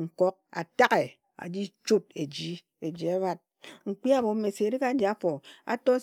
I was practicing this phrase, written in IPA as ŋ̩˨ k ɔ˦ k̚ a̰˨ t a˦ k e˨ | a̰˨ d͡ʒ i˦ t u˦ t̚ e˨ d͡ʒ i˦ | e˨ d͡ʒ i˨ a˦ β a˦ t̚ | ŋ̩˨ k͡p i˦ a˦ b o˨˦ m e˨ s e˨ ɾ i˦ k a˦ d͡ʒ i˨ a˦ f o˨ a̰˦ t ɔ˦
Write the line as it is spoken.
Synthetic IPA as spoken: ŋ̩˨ k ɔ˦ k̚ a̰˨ t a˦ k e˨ | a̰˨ d͡ʒ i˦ t͡ʃ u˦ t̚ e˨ d͡ʒ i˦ | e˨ d͡ʒ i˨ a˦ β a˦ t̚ | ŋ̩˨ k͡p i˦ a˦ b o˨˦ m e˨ s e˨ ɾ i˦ k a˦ d͡ʒ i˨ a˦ f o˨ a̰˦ t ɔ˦